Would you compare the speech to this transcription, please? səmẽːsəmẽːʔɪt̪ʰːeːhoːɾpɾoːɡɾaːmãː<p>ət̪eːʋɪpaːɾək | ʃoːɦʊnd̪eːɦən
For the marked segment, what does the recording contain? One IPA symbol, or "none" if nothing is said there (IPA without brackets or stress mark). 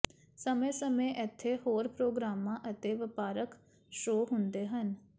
ʔ